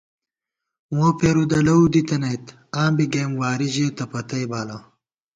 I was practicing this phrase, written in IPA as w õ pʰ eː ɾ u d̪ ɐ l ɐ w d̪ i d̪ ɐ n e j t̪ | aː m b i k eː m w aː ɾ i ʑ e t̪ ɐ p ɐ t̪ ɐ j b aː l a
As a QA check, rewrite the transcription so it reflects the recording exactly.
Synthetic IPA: w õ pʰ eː ɾ u d̪ ɐ l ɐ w d̪ i t̪ ɐ n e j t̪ | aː m b i ɡ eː m w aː ɾ i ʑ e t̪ ɐ p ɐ t̪ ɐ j b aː l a